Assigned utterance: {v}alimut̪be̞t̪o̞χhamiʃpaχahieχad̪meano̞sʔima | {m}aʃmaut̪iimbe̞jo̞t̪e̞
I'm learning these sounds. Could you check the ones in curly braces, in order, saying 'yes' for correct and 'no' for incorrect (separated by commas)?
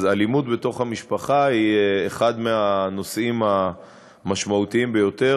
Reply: no, yes